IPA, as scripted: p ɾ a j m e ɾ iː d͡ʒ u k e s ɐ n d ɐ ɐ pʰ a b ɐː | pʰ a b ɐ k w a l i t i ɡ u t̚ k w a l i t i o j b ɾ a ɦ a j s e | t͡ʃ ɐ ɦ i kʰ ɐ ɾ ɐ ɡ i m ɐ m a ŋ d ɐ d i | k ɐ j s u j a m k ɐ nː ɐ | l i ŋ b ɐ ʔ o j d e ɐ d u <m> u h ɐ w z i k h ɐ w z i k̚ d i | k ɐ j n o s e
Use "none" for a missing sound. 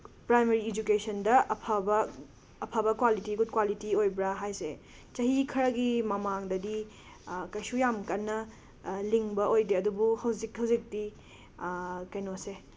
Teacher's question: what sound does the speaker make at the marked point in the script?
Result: b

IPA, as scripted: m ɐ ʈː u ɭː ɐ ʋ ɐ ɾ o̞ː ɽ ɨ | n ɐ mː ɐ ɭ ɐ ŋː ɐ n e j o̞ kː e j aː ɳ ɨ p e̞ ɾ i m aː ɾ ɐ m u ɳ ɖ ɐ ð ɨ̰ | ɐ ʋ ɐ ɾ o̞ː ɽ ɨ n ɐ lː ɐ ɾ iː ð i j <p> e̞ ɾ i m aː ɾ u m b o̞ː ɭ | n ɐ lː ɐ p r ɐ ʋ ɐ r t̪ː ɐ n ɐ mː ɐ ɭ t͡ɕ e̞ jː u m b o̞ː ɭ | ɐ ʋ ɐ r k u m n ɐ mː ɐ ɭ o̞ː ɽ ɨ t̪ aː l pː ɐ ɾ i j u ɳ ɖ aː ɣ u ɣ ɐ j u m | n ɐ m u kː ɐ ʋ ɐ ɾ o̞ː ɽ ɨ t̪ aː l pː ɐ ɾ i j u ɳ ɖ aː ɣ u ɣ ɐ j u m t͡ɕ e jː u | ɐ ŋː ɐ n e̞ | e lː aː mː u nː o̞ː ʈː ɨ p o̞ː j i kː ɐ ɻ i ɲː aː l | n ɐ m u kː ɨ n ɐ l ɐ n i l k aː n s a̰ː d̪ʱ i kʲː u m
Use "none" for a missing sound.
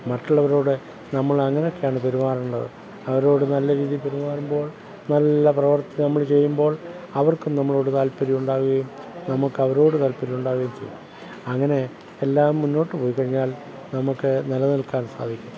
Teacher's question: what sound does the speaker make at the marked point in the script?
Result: p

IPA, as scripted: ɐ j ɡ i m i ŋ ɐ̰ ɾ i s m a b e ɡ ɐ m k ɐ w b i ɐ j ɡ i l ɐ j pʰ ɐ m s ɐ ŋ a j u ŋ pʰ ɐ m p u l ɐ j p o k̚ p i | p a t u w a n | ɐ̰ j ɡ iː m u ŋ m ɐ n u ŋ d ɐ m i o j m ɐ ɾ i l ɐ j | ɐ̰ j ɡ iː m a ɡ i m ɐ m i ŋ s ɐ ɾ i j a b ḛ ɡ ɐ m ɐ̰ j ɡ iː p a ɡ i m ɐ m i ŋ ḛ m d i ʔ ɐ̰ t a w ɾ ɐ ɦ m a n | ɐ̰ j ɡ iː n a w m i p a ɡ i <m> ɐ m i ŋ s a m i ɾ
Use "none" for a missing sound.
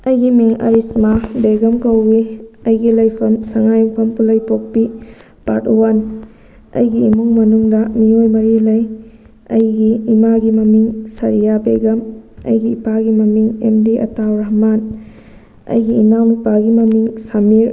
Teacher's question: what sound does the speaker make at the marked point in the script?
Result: m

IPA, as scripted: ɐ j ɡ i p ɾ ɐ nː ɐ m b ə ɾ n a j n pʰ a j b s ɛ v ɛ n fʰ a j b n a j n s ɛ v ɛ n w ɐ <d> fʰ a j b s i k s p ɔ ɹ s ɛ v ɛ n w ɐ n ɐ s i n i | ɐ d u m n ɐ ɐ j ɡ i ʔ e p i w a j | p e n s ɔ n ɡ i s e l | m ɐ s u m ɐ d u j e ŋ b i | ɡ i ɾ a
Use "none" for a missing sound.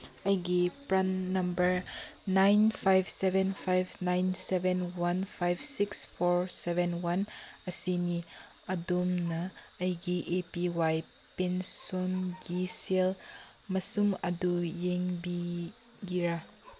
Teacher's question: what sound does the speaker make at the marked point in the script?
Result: n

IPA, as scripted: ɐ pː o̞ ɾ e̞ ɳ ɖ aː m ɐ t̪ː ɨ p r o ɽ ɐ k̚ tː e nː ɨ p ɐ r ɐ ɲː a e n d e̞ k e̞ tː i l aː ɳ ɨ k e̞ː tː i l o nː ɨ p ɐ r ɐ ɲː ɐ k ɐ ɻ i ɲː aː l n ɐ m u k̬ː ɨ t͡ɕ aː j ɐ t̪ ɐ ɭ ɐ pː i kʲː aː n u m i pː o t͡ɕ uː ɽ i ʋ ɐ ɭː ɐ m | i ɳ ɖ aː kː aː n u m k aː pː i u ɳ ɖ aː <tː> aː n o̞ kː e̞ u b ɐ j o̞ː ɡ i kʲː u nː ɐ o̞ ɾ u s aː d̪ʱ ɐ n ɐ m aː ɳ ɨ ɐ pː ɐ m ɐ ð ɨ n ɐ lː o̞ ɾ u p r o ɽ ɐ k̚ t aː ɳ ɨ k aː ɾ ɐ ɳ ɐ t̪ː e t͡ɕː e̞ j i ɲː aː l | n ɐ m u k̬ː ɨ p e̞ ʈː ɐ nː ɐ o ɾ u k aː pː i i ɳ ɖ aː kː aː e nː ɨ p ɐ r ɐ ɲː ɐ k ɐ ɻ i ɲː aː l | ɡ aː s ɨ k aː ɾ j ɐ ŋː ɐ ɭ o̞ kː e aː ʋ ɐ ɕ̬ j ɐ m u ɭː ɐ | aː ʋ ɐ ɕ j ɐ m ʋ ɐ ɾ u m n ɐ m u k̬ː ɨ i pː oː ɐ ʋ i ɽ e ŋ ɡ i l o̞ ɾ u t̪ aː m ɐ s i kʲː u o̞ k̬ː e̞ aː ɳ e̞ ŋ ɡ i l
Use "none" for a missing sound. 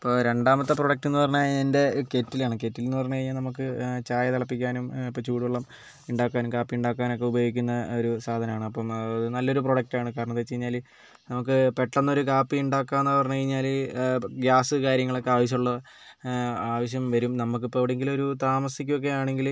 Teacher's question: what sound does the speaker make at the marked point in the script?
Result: kː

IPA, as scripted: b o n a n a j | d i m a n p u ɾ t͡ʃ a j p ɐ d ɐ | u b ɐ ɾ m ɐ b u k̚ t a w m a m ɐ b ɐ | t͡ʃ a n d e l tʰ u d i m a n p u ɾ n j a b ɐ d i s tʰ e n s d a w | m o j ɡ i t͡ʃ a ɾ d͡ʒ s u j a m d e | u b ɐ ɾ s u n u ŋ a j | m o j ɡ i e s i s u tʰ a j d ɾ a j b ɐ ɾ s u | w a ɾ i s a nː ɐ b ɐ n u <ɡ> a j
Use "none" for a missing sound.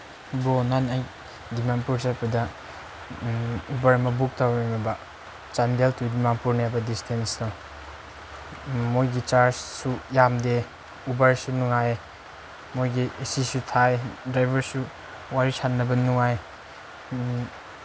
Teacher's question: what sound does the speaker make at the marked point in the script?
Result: ŋ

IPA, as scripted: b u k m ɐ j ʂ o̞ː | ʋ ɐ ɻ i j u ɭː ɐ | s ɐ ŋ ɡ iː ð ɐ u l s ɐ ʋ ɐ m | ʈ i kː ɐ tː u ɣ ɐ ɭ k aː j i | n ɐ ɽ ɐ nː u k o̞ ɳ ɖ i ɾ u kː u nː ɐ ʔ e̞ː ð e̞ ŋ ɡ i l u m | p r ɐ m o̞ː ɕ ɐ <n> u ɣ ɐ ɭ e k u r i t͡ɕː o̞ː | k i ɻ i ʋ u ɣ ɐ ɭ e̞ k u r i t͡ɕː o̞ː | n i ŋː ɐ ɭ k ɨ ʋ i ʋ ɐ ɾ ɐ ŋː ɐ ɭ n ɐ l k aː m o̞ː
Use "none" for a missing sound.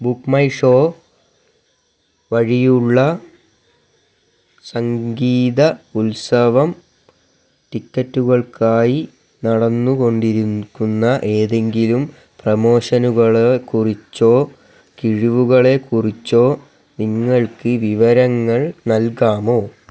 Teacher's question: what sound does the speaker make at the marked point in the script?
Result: n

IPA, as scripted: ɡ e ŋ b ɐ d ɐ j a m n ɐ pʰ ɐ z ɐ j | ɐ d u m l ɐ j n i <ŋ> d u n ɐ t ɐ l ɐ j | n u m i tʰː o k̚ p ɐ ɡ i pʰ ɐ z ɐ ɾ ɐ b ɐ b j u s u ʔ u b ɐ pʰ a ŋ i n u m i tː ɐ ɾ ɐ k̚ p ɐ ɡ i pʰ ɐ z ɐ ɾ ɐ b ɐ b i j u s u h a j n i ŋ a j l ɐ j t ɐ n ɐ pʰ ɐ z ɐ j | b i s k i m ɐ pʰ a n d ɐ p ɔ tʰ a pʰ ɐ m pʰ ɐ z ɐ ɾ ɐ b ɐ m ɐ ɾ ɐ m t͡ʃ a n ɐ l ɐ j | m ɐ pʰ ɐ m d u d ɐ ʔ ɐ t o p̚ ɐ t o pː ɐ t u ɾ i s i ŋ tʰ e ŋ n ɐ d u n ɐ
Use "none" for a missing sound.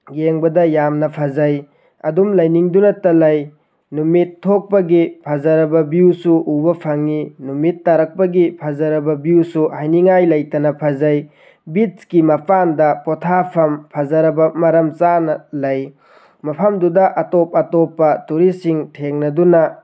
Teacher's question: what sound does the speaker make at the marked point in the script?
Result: ŋ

